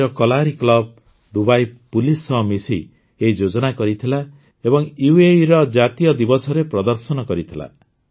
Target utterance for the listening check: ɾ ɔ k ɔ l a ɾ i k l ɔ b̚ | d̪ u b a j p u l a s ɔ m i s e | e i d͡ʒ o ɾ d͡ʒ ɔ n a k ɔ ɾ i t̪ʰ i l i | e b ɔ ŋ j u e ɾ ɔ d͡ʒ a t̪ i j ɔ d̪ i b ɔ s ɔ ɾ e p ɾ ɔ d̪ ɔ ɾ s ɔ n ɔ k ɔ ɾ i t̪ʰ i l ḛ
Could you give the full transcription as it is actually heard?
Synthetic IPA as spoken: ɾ ɔ k ɔ l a ɾ i k l ɔ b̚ | d̪ u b a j p u l i s ɔ m i s i | e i d͡ʒ o d͡ʒ ɔ n a k ɔ ɾ i t̪ʰ i l a | e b ɔ ŋ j u e ɾ ɔ d͡ʒ a t̪ i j ɔ d̪ i b ɔ s ɔ ɾ e p ɾ ɔ d̪ ɔ ɾ s ɔ n ɔ k ɔ ɾ i t̪ʰ i l a̰

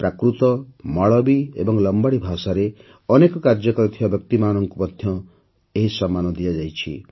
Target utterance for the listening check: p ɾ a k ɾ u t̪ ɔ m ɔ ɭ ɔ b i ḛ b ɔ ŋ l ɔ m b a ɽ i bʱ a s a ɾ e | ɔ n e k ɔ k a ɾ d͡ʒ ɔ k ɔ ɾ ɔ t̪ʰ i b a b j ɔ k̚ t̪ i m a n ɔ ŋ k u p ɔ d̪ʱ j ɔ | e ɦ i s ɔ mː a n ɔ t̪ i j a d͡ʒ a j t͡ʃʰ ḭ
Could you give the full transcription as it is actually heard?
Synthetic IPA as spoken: p ɾ a k ɾ u t̪ ɔ m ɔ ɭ ɔ b i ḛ b ɔ ŋ l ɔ m b a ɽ i bʱ a s a ɾ e | ɔ n e k ɔ k a ɾ d͡ʒ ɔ k ɔ ɾ ɔ t̪ʰ i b a b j ɔ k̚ t̪ i m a n ɔ ŋ k u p ɔ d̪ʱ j ɔ | e ɦ i s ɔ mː a n ɔ d̪ i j a d͡ʒ a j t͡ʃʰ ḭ

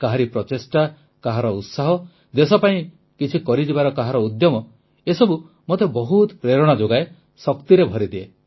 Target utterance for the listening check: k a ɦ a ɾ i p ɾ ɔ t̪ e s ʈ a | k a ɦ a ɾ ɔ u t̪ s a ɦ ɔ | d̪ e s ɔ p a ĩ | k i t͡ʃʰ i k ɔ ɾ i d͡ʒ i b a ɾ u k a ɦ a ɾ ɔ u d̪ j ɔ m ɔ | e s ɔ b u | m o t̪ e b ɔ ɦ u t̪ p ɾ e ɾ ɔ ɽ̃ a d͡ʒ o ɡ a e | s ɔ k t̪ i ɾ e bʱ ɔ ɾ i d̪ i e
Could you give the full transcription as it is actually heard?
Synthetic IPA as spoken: k a ɦ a ɾ i p ɾ ɔ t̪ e s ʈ a | k a ɦ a ɾ ɔ u t̪ s a ɦ ɔ | d̪ e s ɔ p a ĩ | k i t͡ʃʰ i k ɔ ɾ i d͡ʒ i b a ɾ ɔ k a ɦ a ɾ ɔ u d̪ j ɔ m ɔ | e s ɔ b u | m o t̪ e b ɔ ɦ u t̪ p ɾ e ɾ ɔ ɽ̃ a d͡ʒ o ɡ a e | s ɔ k t̪ i ɾ e bʱ ɔ ɾ i d̪ i e

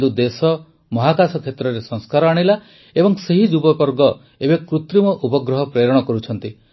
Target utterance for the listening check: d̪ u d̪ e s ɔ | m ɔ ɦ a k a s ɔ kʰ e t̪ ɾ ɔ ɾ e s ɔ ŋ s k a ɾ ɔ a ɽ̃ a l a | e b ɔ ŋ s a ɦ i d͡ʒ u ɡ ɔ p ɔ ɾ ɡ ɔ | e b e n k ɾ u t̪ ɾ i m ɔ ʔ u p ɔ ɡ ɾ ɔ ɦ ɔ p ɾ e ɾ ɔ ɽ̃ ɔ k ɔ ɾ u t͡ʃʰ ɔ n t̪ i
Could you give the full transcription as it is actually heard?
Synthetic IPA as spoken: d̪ u d̪ e s ɔ | m ɔ ɦ a k a s ɔ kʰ e t̪ ɾ ɔ ɾ e s ɔ ŋ s k a ɾ ɔ a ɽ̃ i l a | e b ɔ ŋ s e ɦ i d͡ʒ u b ɔ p ɔ ɾ ɡ ɔ | e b e k ɾ u t̪ ɾ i m ɔ ʔ u p ɔ ɡ ɾ ɔ ɦ ɔ p ɾ e ɾ ɔ ɽ̃ ɔ k ɔ ɾ u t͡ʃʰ ɔ n t̪ i

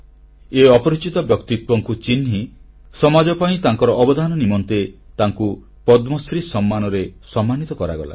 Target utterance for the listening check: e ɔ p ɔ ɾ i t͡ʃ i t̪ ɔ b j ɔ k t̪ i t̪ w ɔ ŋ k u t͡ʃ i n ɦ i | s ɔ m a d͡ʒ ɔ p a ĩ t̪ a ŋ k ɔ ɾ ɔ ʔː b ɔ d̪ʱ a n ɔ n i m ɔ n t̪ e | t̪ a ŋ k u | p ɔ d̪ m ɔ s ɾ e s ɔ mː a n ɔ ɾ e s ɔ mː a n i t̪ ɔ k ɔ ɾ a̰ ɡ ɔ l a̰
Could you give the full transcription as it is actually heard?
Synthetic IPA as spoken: e ɔ p ɔ ɾ i t͡ʃ i t̪ ɔ b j ɔ k t̪ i t̪ w ɔ ŋ k u t͡ʃ i n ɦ i | s ɔ m a d͡ʒ ɔ p a ĩ t̪ a ŋ k ɔ ɾ ɔ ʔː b ɔ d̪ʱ a n ɔ n i m ɔ n t̪ e | t̪ a ŋ k u | p ɔ d̪ m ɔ s ɾ i s ɔ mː a n ɔ ɾ e s ɔ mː a n i t̪ ɔ k ɔ ɾ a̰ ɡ ɔ l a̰

